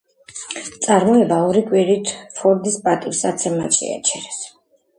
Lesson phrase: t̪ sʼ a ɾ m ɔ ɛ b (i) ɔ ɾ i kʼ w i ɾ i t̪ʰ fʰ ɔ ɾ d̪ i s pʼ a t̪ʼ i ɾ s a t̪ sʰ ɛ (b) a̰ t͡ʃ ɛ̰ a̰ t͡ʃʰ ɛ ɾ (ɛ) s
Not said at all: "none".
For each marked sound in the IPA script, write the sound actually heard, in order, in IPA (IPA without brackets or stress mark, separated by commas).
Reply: a, m, ɛ